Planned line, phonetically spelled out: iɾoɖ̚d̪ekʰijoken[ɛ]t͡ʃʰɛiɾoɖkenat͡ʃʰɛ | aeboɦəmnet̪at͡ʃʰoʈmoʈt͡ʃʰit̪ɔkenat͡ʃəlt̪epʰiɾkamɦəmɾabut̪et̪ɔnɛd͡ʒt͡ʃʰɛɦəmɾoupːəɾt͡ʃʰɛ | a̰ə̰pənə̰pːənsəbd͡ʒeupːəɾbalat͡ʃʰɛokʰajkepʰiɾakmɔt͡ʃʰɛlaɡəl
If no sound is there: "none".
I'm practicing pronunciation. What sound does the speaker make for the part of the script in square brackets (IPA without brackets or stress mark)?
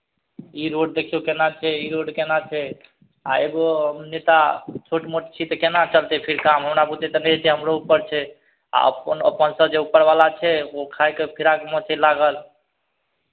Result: a